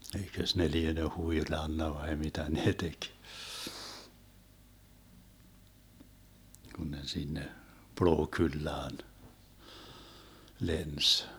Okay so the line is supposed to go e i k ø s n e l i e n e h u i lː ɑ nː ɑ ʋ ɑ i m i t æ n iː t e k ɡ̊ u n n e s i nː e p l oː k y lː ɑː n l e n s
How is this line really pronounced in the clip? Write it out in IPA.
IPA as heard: e i k ø s n e l i e n e h u i l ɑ nː ɑ ʋ ɑ i m i t æ n eː t e k ɡ̊ u n n e s i nː e p l oː k y lː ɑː n l e n s